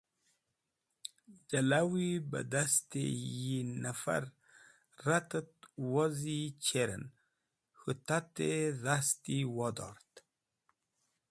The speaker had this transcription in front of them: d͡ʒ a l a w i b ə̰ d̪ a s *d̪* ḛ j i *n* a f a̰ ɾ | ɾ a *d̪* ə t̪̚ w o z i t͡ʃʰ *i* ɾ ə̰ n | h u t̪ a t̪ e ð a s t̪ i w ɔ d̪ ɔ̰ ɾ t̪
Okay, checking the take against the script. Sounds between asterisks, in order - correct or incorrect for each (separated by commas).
incorrect, correct, incorrect, incorrect